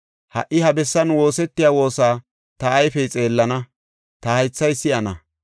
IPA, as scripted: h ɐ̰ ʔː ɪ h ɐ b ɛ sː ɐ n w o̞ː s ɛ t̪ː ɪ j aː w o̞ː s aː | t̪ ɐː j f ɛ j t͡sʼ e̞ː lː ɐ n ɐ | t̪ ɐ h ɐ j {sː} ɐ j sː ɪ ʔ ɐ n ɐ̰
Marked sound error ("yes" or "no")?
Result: yes